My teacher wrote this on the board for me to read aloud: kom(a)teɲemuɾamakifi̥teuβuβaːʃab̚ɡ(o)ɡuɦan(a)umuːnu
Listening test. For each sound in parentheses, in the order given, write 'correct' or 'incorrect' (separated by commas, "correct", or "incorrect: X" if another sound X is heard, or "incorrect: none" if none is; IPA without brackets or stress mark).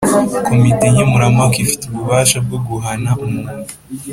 incorrect: i, correct, correct